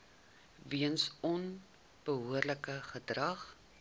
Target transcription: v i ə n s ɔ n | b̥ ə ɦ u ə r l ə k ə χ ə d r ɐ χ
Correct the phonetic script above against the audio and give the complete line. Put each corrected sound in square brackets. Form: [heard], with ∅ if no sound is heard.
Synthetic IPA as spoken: v i ə n s ɔ n | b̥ ə ɦ u ə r l ə k ə χ ə d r ɐ χ